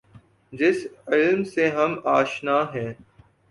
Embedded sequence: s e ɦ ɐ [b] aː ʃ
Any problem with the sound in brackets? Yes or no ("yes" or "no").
yes